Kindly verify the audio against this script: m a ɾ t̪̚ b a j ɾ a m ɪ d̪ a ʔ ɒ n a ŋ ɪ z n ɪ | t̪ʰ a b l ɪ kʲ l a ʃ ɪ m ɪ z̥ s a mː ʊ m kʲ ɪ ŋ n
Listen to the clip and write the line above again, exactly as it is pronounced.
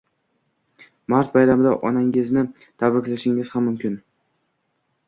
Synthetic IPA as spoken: m a ɾ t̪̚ b a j ɾ a m ɪ d̪ a ʔ ɒ n a ŋ ɪ z n ɪ | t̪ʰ a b ɾ ɪ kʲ l a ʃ ɪ ŋ ɪ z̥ h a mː ʊ m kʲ ɪ n